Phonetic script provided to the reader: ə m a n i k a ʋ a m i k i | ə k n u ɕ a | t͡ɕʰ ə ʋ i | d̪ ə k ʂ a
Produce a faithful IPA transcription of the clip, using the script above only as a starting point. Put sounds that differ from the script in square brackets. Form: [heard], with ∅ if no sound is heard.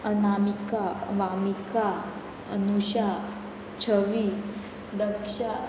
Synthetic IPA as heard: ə [n] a [m] i k a ʋ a m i k [a] | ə [∅] n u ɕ a | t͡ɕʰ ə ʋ i | d̪ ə k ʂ a